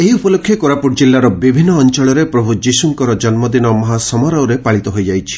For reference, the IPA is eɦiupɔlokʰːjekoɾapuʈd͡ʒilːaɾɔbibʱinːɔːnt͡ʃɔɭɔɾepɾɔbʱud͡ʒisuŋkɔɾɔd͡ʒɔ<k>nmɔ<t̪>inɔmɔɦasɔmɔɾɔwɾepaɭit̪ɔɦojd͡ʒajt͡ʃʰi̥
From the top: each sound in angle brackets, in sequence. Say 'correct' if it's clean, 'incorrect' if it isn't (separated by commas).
incorrect, incorrect